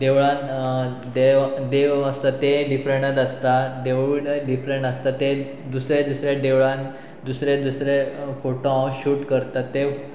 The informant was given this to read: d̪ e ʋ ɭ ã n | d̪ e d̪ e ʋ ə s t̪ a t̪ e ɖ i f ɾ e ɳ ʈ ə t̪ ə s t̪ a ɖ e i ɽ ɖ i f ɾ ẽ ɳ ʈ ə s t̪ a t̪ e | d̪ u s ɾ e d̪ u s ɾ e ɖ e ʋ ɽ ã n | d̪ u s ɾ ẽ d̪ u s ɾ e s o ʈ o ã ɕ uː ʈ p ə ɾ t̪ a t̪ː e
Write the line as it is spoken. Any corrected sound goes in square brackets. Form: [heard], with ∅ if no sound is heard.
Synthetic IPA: d̪ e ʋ ɭ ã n | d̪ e d̪ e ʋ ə s t̪ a t̪ e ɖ i f ɾ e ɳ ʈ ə t̪ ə s t̪ a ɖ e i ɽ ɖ i f ɾ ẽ ɳ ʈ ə s t̪ a t̪ e | d̪ u s ɾ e d̪ u s ɾ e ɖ e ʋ [ɭ] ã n | d̪ u s ɾ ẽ d̪ u s ɾ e [f] o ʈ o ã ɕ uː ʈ [k] ə ɾ t̪ a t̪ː e